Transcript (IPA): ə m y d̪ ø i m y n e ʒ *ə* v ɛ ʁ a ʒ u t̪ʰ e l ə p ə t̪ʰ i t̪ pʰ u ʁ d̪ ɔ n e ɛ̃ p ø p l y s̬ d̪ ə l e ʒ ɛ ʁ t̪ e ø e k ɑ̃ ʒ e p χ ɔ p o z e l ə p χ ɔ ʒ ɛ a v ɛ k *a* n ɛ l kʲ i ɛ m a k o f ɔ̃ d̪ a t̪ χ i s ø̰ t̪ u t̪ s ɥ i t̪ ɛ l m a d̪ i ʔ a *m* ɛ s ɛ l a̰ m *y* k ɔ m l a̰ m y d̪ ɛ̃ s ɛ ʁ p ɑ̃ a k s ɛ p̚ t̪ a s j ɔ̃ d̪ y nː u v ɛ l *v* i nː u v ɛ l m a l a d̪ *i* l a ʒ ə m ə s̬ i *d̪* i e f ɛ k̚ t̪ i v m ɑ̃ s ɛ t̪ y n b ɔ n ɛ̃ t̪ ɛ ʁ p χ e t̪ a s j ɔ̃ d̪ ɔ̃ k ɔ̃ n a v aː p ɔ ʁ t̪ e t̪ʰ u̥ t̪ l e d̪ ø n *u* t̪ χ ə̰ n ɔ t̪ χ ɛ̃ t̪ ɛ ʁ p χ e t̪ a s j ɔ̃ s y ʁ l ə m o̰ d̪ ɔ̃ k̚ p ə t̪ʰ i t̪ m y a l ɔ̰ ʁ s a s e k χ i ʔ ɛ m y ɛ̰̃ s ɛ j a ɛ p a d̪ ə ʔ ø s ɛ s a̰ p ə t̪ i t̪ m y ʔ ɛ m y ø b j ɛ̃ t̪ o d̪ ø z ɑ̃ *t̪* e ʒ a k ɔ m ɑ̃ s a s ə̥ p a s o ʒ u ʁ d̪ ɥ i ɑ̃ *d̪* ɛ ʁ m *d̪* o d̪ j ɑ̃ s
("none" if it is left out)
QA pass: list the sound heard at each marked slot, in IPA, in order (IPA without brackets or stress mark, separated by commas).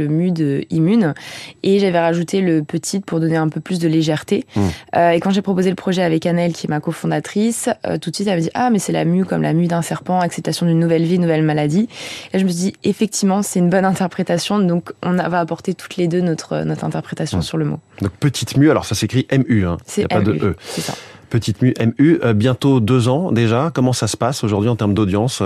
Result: a, a, m, y, v, i, d̪, ɔ, d̪, t̪, d̪